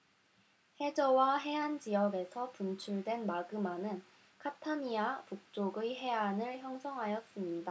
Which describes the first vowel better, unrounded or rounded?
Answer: unrounded